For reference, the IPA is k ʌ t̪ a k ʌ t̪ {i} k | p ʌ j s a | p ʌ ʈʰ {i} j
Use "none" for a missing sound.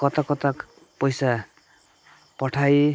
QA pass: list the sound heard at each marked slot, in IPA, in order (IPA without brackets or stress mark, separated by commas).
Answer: a, a